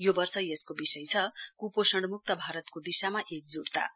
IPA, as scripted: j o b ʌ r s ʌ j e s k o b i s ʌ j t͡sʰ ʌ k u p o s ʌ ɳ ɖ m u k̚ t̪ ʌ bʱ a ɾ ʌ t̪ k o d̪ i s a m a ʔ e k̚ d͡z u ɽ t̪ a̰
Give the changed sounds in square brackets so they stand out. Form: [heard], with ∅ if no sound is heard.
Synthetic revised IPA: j o b ʌ r s ʌ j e s k o b i s ʌ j t͡sʰ ʌ k u p o s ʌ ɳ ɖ m u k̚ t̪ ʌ bʱ a ɾ ʌ t̪ k o d̪ i s a m a ʔ e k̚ d͡z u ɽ t̪ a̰